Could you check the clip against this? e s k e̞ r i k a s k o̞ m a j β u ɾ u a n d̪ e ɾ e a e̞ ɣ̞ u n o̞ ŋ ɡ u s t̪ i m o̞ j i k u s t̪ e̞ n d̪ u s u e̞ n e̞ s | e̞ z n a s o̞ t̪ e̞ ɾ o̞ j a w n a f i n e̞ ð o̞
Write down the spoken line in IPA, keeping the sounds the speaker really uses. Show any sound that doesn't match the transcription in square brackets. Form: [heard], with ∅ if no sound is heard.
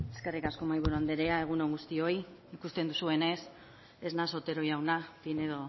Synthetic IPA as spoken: e s k e̞ r i k a s k o̞ m a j β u ɾ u a n d̪ e ɾ e a e̞ ɣ̞ u n o̞ ŋ ɡ u s t̪ i [∅] o̞ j i k u s t̪ e̞ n d̪ u s u e̞ n e̞ s | e̞ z n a s o̞ t̪ e̞ ɾ o̞ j a w n a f i n e̞ ð o̞

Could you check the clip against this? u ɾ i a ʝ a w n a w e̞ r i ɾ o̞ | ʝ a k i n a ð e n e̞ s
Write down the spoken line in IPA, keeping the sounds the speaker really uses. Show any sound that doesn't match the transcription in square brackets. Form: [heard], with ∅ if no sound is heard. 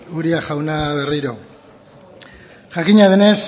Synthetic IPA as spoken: u ɾ i a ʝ a w n a [β] e̞ r i ɾ o̞ | ʝ a k i [ɲ] a ð e n e̞ s

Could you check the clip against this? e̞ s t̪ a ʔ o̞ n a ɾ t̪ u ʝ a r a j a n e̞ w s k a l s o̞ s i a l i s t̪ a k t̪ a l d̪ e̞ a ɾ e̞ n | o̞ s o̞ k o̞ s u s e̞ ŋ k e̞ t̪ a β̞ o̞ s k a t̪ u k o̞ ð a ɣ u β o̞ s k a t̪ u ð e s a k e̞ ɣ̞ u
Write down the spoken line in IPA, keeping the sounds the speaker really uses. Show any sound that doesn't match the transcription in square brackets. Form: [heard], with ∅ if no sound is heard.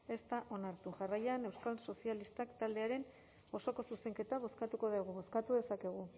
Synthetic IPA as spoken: e̞ s t̪ a ʔ o̞ n a ɾ t̪ u ʝ a r a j a n e̞ w s k a l s o̞ s i a l i s t̪ a k t̪ a l d̪ e̞ a ɾ e̞ n | o̞ s o̞ k o̞ s u s e̞ ŋ k e̞ t̪ a β̞ o̞ s k a t̪ u k o̞ ð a ɣ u β o̞ s k a t̪ u ð e s a k e̞ ɣ̞ u

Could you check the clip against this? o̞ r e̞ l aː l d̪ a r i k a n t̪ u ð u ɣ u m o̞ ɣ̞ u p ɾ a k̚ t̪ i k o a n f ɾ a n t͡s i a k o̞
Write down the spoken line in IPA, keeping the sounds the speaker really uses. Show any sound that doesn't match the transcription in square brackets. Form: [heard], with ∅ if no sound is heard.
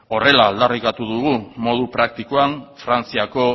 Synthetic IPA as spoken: o̞ r e̞ l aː l d̪ a r i k a [∅] t̪ u ð u ɣ u m o̞ [ð̞] u p ɾ a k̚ t̪ i k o a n f ɾ a n t͡s i a k o̞

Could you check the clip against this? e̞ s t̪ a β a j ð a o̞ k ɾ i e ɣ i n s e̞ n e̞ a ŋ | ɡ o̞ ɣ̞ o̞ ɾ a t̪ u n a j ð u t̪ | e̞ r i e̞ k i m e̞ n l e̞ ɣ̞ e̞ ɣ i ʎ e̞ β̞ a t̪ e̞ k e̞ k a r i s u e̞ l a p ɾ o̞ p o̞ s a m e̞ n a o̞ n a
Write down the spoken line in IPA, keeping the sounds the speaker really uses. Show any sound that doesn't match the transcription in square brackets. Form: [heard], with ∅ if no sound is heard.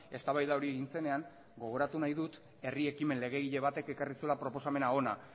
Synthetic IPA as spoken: e̞ s t̪ a β a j ð a o̞ [∅] ɾ i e ɣ i n s e̞ n e̞ a ŋ | ɡ o̞ ɣ̞ o̞ ɾ a t̪ u n a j ð u t̪ | e̞ r i e̞ k i m e̞ n l e̞ ɣ̞ e̞ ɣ i ʎ e̞ β̞ a t̪ e̞ k e̞ k a r i s u e̞ l a p ɾ o̞ p o̞ s a m e̞ n a o̞ n a

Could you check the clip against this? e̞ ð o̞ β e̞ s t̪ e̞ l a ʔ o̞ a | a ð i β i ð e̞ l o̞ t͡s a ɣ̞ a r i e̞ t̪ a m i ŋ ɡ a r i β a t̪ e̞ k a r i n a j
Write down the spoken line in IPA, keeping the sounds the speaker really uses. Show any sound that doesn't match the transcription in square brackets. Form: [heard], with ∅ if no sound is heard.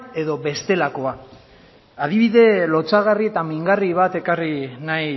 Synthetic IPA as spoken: e̞ ð o̞ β e̞ s t̪ e̞ l a [k] o̞ a | a ð i β i ð e̞ l o̞ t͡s a ɣ̞ a r i e̞ t̪ a m i ŋ ɡ a r i β a t̪ e̞ k a r i n a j

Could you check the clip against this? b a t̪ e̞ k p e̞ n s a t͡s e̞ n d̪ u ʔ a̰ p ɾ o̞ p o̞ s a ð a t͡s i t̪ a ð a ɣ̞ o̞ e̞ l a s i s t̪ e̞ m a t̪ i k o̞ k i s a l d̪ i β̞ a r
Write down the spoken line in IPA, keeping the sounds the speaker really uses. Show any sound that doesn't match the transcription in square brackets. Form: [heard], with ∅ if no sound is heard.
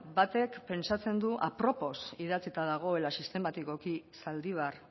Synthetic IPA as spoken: b a t̪ e̞ k p e̞ n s a t͡s e̞ n d̪ u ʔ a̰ p ɾ o̞ p o̞ s [i] ð a t͡s i t̪ a ð a ɣ̞ o̞ e̞ l a s i s t̪ e̞ m a t̪ i k o̞ k i s a l d̪ i β̞ a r

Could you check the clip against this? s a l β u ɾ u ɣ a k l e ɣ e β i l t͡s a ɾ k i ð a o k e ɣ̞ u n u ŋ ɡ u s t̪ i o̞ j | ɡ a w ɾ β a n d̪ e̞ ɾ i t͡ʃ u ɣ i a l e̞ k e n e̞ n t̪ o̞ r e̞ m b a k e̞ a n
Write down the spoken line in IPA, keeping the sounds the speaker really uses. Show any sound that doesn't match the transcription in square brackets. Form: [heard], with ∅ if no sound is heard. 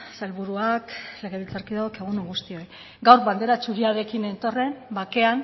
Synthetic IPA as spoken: s a l β u ɾ u [∅] a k l e ɣ e β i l t͡s a ɾ k i ð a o k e ɣ̞ u n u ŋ ɡ u s t̪ i o̞ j | ɡ a w ɾ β a n d̪ e̞ ɾ [a] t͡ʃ u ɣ i a [ɾ] e̞ k [i] n e̞ n t̪ o̞ r e̞ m b a k e̞ a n

